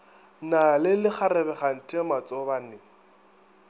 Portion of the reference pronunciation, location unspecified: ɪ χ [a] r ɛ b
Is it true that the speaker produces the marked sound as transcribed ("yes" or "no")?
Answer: yes